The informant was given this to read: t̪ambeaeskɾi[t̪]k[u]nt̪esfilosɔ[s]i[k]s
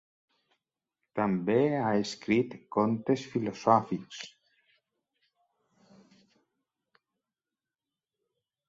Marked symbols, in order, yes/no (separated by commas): yes, no, no, yes